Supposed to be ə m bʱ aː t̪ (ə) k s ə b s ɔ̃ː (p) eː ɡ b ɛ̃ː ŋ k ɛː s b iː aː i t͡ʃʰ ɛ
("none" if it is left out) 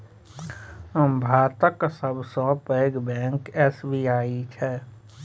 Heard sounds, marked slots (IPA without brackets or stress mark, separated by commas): ə, p